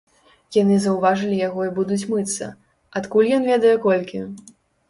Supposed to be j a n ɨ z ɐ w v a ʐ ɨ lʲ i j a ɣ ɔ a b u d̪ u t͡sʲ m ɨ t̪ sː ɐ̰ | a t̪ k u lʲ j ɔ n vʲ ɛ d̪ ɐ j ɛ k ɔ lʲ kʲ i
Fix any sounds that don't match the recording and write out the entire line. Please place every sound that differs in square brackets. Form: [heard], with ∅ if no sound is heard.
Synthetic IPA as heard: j a n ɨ z ɐ w v a ʐ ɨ lʲ i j a ɣ ɔ [i] b u d̪ u t͡sʲ m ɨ t̪ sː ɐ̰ | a t̪ k u lʲ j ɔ n vʲ ɛ d̪ ɐ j ɛ k ɔ lʲ kʲ i